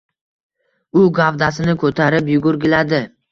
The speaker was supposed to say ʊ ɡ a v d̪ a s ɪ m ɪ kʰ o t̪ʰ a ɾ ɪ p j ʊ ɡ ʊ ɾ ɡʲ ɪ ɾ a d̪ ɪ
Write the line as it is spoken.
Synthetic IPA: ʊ ɡ a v d̪ a s ɪ n ɪ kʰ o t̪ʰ a ɾ ɪ p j ʊ ɡ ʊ ɾ ɡʲ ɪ l a d̪ ɪ

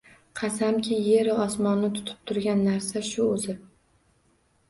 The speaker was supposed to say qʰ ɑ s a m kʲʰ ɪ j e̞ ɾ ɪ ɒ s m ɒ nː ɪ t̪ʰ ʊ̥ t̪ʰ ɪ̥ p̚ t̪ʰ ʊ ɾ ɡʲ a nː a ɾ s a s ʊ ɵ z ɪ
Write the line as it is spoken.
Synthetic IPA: qʰ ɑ s a m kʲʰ ɪ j e̞ ɾ ɪ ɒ s m ɒ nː ɪ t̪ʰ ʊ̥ t̪ʰ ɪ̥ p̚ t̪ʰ ʊ ɾ ɡʲ a nː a ɾ s a ʃ ʊ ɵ z ɪ

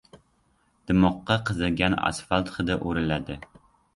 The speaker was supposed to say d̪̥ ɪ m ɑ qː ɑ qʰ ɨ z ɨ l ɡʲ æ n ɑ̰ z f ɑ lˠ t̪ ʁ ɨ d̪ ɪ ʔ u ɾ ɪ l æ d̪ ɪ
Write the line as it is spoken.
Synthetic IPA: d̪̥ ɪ m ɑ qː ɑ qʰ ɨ z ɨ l ɡʲ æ n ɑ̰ s f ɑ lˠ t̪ χ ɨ d̪ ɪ ʔ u ɾ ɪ l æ d̪ ɪ

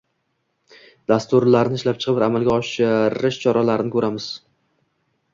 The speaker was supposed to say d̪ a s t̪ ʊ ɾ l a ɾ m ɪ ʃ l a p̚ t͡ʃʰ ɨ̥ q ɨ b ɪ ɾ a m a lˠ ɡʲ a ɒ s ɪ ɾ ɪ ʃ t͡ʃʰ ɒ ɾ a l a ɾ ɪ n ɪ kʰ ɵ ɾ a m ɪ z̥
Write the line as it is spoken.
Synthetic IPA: d̪ a s t̪ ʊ ɾ l a ɾ n ɪ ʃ l a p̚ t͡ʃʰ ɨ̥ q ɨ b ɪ ɾ a m a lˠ ɡʲ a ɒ ʃ ɪ ɾ ɪ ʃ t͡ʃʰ ɒ ɾ a l a ɾ ɪ n ɪ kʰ ɵ ɾ a m ɪ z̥

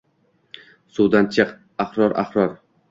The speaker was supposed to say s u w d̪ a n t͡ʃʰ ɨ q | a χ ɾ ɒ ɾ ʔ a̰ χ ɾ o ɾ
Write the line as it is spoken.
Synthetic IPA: s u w d̪ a n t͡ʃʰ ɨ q | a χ ɾ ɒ ɾ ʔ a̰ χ ɾ ɒ ɾ

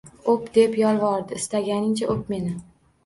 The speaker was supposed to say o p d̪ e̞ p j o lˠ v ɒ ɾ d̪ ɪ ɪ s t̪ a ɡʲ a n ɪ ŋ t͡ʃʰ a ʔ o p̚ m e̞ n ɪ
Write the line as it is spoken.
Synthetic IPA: o p d̪ e̞ p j ɒ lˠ v ɒ ɾ d̪ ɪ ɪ s t̪ a ɡʲ a n ɪ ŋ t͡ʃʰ a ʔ o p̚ m e̞ n ɪ

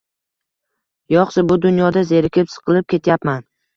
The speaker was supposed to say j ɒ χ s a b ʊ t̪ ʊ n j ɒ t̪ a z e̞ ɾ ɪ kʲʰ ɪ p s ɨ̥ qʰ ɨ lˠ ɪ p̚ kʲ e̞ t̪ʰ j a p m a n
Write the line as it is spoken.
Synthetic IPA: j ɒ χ s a b ʊ d̪ ʊ n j ɒ d̪ a z e̞ ɾ ɪ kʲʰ ɪ p s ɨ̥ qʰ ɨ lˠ ɪ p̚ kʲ e̞ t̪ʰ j a p m a n

